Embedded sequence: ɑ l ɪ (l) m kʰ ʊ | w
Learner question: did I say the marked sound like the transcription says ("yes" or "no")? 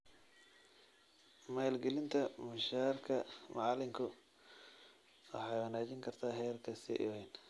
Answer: no